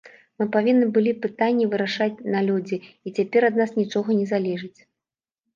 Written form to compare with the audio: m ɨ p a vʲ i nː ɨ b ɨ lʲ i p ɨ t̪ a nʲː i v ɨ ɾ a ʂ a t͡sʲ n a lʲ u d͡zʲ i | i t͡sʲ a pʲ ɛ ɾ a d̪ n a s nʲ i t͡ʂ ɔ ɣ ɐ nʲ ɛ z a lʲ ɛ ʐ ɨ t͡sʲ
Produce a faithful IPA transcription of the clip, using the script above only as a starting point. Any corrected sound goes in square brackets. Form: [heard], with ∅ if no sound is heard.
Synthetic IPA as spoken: m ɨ p a vʲ i nː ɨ b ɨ lʲ i p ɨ t̪ a nʲː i v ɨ ɾ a ʂ a t͡sʲ n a lʲ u d͡zʲ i | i t͡sʲ a pʲ ɛ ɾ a d̪ n a s nʲ i t͡ʂ ɔ ɣ ɐ nʲ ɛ z a lʲ ɛ ʐ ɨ t͡sʲ